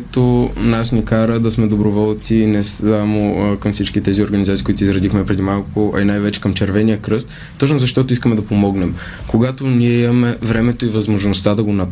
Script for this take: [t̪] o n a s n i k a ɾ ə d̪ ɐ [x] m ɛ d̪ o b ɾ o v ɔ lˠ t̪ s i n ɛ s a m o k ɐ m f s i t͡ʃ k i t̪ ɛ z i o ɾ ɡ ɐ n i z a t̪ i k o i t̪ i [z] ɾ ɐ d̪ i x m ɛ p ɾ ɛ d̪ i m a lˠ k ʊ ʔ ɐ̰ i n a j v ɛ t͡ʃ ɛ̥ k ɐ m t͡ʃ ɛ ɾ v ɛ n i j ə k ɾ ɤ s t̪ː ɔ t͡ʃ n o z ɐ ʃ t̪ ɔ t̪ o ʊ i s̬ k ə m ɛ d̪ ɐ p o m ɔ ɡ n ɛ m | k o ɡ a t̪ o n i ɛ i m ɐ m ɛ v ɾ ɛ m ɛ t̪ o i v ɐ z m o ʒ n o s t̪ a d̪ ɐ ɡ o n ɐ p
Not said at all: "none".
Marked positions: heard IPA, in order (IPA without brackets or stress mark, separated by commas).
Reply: t̪, s, z